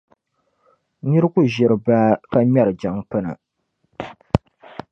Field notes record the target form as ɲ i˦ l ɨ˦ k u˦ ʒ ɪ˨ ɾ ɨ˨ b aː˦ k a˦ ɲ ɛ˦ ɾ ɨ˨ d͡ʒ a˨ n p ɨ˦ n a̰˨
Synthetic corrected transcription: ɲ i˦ ɾ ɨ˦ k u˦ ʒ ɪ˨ ɾ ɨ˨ b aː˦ k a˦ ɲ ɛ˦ ɾ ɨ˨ d͡ʒ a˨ ŋ p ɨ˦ n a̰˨